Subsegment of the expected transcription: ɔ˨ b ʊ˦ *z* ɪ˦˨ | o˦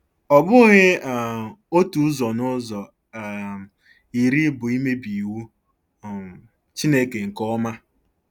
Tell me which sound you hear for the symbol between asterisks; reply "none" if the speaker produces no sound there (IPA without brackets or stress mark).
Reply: ɣ